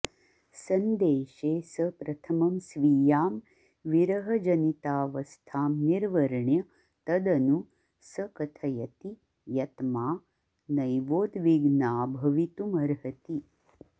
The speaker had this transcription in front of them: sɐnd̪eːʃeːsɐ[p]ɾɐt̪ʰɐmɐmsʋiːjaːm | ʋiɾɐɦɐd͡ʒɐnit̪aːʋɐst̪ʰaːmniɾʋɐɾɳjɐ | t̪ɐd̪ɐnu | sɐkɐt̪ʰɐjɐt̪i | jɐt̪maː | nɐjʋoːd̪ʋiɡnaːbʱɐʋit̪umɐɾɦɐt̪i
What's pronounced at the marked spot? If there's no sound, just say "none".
p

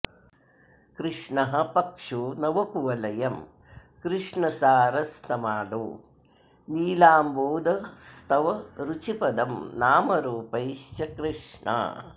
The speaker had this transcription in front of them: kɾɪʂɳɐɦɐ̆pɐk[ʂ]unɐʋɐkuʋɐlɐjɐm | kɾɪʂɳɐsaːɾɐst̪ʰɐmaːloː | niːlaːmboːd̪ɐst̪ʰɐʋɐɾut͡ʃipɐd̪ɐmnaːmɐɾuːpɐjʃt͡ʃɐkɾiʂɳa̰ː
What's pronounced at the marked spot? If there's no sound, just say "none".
ʂ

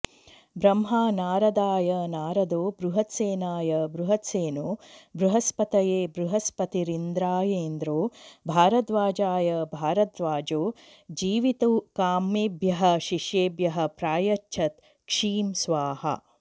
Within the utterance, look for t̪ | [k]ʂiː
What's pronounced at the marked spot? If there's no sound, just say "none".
k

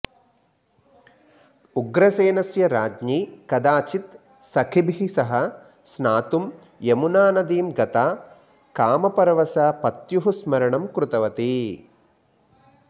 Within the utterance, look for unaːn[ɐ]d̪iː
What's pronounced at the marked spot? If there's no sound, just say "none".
ɐ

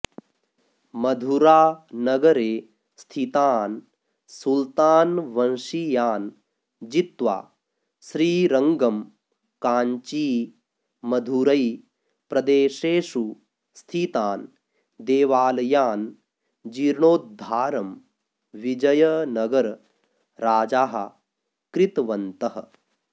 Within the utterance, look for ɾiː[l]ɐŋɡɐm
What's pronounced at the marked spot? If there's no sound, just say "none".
ɾ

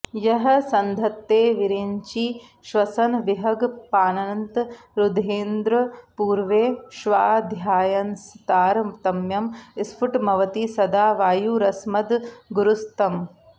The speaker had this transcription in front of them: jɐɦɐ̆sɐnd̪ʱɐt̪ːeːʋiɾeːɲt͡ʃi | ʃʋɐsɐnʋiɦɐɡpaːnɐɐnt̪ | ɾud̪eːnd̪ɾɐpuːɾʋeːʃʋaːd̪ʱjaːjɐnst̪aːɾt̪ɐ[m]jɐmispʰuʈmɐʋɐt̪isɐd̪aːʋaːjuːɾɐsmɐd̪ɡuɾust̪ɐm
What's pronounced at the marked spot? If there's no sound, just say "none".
m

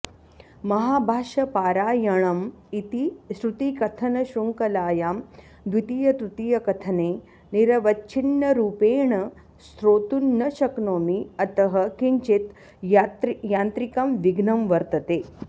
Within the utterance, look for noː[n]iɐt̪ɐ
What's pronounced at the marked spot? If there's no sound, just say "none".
m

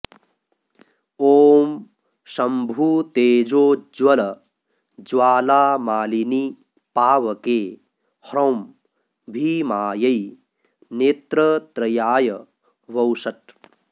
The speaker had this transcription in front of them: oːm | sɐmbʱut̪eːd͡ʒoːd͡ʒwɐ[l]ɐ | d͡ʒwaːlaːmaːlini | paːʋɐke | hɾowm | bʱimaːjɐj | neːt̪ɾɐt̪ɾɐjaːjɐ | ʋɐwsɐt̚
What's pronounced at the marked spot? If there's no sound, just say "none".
l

